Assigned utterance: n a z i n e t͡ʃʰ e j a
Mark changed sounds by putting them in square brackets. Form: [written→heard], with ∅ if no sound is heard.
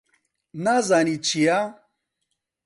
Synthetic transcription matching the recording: n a z [i→a] n [e→i] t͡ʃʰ [e→i] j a

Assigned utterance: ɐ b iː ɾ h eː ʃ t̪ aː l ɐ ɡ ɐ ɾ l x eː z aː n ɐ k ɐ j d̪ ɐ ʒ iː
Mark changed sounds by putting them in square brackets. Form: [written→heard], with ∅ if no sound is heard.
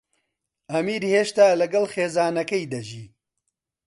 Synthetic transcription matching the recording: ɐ [b→m] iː ɾ h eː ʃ t̪ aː l ɐ ɡ ɐ [ɾ→∅] l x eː z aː n ɐ k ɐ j d̪ ɐ ʒ iː

